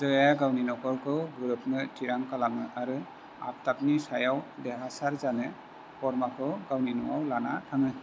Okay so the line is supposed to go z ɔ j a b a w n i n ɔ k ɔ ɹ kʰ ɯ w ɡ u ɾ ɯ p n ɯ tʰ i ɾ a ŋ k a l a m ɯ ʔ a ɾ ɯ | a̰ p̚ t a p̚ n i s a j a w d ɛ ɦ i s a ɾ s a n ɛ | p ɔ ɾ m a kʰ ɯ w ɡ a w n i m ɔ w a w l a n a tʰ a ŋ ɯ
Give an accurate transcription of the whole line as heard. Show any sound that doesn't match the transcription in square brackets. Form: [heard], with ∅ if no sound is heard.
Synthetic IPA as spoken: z ɔ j a [ɡ] a w n i n ɔ k ɔ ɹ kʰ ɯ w ɡ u ɾ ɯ p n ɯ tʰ i ɾ a ŋ k a l a m ɯ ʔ a ɾ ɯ | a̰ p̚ t a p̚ n i s a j a w d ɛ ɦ [a] s a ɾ [z] a n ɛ | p ɔ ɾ m a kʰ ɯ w ɡ a w n i [n] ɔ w a w l a n a tʰ a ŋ ɯ